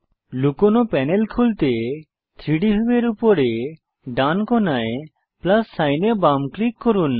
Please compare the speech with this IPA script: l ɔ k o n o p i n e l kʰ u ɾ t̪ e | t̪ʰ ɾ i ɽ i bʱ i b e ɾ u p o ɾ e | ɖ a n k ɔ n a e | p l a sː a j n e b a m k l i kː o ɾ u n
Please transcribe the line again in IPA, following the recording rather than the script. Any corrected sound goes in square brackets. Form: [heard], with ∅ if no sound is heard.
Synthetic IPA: l [u] k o n o p [ɛ] n e l kʰ u [l] t̪ e | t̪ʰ ɾ i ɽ i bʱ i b e ɾ u p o ɾ e | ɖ a n k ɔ n a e | p l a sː a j n e b a m k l i kː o ɾ u n